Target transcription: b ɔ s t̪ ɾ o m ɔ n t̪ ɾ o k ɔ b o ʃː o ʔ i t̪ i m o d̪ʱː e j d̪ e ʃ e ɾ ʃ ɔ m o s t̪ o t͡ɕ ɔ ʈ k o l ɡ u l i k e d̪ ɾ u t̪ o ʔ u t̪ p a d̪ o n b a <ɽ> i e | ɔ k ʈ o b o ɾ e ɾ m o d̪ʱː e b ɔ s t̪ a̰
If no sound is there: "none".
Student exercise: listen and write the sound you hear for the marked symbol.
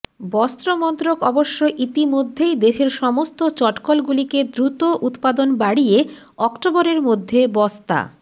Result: ɽ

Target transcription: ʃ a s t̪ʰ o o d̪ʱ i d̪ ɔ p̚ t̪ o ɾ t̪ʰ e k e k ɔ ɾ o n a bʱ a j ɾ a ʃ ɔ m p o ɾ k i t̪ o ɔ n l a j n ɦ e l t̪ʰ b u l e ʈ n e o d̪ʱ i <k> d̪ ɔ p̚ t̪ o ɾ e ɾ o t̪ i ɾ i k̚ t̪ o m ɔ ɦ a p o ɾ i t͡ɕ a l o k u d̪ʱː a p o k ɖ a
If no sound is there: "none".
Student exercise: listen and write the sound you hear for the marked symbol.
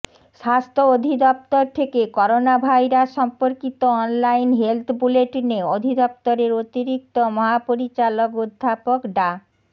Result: none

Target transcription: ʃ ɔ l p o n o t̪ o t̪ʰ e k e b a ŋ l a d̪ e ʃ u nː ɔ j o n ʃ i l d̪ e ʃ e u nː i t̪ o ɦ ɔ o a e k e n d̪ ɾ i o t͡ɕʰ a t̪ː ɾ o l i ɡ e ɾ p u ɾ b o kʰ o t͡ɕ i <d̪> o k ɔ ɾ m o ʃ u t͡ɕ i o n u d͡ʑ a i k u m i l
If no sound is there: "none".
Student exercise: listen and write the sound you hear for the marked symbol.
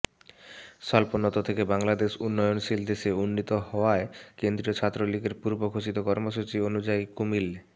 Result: t̪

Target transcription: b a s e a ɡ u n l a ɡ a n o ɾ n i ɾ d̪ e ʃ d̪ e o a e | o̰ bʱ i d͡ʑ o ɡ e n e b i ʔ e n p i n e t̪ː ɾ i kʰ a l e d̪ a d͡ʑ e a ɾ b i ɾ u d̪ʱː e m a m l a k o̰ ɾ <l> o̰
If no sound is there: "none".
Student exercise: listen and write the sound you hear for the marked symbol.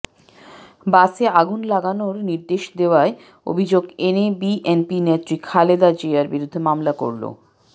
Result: l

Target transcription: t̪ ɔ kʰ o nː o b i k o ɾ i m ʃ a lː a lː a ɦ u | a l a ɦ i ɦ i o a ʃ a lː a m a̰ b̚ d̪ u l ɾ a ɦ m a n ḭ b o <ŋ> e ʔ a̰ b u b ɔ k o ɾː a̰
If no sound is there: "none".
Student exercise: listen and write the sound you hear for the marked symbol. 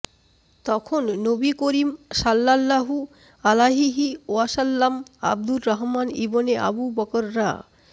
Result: n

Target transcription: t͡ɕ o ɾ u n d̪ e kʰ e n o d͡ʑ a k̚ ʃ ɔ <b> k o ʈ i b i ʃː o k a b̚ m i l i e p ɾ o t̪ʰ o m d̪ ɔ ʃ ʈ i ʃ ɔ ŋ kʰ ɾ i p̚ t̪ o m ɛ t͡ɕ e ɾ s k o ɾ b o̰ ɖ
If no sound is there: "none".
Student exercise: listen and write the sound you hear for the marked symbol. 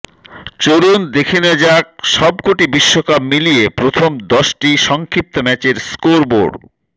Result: b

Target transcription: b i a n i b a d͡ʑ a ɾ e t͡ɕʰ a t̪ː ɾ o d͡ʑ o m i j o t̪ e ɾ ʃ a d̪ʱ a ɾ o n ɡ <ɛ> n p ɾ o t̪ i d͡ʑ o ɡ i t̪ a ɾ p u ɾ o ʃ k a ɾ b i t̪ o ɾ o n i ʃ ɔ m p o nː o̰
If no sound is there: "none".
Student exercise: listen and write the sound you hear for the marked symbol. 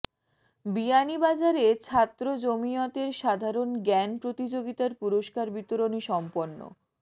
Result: ɛ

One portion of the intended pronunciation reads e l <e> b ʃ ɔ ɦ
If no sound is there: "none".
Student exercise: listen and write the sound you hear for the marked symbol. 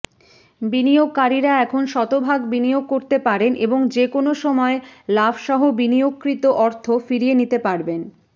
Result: a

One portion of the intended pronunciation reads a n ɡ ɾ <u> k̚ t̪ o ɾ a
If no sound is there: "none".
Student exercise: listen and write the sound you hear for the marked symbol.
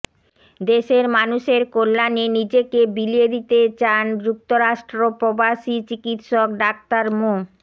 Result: u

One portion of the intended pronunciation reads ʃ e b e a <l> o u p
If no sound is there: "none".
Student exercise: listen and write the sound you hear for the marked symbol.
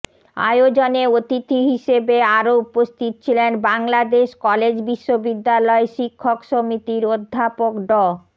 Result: ɾ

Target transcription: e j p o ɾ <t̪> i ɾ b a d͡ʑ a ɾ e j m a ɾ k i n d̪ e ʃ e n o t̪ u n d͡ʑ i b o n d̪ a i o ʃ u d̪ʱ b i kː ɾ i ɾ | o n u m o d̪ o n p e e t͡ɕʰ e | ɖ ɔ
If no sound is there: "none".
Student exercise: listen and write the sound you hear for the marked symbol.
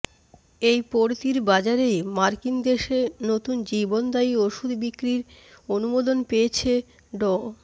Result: t̪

